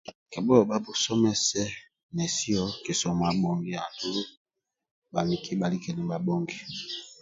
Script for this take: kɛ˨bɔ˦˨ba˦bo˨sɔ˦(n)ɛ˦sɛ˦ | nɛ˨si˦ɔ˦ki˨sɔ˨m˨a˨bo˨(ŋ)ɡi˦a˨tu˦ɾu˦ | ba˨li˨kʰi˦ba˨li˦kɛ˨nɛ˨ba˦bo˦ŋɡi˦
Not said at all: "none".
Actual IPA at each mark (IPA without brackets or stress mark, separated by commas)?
m, ŋ